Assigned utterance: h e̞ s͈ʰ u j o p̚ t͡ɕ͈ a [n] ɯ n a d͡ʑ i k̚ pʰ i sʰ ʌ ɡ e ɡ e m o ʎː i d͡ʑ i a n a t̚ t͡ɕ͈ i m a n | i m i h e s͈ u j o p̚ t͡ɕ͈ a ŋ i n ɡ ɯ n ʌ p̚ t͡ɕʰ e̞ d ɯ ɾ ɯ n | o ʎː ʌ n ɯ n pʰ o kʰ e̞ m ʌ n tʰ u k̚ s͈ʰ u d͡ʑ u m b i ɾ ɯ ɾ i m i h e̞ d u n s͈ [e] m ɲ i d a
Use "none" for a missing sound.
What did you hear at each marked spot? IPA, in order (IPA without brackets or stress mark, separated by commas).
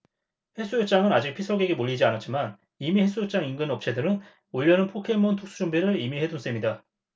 ŋ, e